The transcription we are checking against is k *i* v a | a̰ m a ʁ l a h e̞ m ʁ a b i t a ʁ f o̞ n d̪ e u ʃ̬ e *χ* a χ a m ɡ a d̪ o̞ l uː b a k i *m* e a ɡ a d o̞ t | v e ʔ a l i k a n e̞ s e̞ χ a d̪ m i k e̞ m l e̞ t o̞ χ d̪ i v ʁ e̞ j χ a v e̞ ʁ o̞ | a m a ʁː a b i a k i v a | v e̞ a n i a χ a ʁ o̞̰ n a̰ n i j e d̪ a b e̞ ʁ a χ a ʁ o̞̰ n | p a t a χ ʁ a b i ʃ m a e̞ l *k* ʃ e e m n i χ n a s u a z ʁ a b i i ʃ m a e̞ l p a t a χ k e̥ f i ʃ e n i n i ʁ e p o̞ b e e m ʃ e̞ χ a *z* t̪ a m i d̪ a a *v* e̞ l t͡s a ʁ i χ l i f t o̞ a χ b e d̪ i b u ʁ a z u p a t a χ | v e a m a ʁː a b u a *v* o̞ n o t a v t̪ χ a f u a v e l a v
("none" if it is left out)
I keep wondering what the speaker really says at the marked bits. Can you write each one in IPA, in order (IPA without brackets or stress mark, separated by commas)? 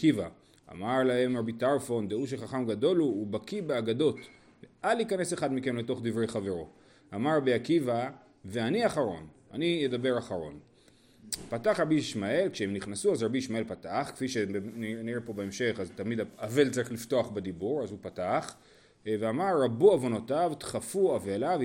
i, χ, b, k, z, v, v